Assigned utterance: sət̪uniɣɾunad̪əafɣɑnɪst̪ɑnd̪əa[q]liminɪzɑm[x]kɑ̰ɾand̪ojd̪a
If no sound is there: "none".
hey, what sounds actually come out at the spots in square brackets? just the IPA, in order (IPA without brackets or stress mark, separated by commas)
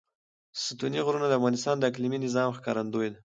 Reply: k, x